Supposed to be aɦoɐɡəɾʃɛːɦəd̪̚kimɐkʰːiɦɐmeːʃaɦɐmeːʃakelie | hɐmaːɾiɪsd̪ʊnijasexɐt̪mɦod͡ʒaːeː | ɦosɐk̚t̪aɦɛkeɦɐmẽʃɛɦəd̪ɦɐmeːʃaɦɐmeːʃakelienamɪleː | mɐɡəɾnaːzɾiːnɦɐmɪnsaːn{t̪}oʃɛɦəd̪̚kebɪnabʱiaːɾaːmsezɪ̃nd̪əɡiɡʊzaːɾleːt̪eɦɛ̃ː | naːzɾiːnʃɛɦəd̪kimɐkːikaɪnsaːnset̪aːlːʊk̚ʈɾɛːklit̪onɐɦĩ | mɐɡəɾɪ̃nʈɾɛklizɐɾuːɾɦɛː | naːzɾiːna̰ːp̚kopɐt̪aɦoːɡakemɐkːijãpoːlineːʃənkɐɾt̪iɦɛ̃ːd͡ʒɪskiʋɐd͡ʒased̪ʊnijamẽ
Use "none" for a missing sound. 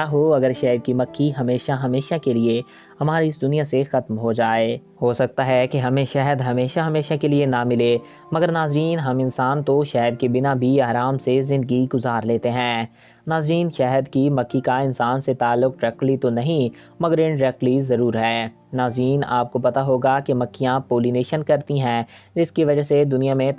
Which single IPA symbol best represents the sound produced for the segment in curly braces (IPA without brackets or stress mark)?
t̪